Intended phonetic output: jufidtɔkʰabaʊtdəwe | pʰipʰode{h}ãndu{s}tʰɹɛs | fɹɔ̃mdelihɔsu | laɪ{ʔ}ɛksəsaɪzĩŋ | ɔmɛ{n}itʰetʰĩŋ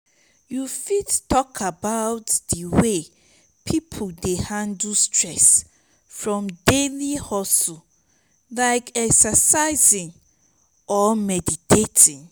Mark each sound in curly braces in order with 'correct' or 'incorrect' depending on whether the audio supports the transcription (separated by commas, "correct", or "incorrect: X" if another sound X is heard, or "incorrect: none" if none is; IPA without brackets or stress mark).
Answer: correct, correct, incorrect: k, incorrect: d